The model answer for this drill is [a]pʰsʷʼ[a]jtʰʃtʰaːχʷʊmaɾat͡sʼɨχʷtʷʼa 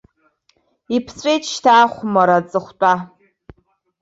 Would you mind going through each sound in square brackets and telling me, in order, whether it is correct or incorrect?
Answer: incorrect: i, incorrect: e

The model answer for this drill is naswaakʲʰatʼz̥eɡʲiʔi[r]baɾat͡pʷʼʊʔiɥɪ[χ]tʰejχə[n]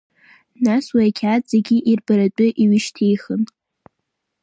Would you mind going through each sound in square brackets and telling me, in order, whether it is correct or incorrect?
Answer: correct, incorrect: ʃ, correct

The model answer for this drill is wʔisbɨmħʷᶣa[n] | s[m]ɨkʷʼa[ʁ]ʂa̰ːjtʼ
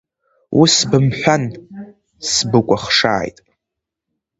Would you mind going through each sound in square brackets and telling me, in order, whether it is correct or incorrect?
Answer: correct, incorrect: b, incorrect: χ

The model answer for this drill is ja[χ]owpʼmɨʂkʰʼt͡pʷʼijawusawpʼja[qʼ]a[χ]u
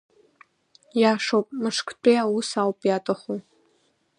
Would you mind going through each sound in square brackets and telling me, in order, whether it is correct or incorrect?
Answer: incorrect: ʂ, incorrect: tʼ, correct

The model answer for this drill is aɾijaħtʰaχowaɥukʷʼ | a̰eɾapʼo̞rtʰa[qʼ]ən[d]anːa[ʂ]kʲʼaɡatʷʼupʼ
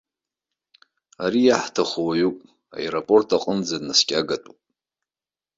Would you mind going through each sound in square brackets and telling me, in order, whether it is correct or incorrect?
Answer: correct, incorrect: d͡z, incorrect: s

